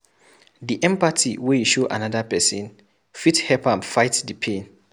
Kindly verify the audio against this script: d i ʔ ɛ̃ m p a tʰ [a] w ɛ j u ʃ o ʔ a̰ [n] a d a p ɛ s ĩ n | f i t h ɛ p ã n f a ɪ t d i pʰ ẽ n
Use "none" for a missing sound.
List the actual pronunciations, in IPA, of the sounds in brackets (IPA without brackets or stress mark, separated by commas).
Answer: i, n